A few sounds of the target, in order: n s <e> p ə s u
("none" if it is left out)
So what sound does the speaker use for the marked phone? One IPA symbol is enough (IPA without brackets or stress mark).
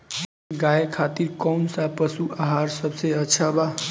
a